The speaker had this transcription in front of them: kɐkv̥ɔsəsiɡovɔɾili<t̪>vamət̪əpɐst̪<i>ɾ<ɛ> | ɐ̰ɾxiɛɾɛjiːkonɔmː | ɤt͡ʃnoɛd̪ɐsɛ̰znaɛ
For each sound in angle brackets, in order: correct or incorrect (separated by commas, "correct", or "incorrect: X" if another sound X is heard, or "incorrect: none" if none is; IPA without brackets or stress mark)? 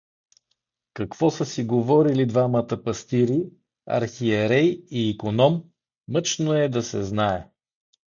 incorrect: d̪, correct, incorrect: i